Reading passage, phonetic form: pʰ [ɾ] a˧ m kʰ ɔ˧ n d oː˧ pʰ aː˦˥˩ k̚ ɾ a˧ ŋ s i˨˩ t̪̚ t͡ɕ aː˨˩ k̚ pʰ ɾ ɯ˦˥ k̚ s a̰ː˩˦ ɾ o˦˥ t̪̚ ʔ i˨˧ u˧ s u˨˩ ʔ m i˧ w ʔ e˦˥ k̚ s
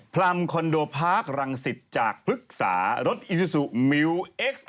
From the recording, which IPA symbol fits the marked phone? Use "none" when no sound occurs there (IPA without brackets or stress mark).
l